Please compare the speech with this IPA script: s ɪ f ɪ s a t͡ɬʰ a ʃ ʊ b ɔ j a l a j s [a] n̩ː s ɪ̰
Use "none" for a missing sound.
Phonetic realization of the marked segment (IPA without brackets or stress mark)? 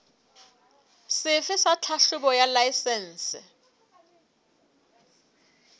ɛ